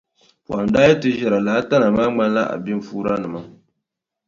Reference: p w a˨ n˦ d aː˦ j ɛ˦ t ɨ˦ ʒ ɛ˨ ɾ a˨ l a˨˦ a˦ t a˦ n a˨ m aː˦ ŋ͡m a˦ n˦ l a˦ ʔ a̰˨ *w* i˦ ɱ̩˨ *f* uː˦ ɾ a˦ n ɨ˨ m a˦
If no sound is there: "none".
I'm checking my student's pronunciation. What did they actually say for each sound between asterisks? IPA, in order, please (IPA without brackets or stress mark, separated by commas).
b, f